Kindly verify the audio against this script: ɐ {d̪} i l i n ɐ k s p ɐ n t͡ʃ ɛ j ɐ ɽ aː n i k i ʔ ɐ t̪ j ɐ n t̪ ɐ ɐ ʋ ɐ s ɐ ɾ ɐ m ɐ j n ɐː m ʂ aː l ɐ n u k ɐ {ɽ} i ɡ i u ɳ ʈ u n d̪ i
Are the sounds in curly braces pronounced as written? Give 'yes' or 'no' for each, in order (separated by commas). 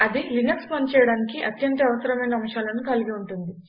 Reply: yes, no